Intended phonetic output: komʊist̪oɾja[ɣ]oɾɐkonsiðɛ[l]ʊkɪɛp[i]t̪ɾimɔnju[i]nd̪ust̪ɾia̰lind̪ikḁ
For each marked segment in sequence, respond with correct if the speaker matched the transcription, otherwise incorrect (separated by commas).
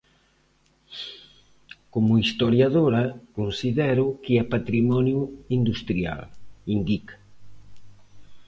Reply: incorrect, incorrect, incorrect, correct